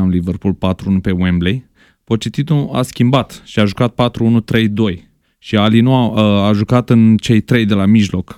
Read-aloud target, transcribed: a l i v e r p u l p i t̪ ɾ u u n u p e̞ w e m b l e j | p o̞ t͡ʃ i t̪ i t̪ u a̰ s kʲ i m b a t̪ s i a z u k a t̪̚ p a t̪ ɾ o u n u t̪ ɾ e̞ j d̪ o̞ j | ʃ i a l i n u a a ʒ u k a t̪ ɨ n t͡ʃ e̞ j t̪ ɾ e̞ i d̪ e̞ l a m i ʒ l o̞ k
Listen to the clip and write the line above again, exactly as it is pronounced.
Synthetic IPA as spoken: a l i v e r p u l p a t̪ ɾ u u n u p e̞ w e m b l e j | p o̞ t͡ʃ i t̪ i t̪ u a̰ s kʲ i m b a t̪ ʃ i a ʒ u k a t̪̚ p a t̪ ɾ u u n u t̪ ɾ e̞ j d̪ o̞ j | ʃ i a l i n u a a ʒ u k a t̪ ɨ n t͡ʃ e̞ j t̪ ɾ e̞ j d̪ e̞ l a m i ʒ l o̞ k